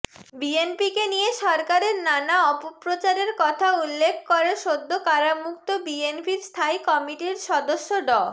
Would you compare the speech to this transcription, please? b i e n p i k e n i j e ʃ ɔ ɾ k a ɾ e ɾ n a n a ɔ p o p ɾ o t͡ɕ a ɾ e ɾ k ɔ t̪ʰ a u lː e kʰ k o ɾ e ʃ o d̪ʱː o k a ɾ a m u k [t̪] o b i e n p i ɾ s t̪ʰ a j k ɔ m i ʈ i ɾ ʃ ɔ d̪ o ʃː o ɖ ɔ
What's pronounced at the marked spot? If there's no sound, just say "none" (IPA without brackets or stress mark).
t̪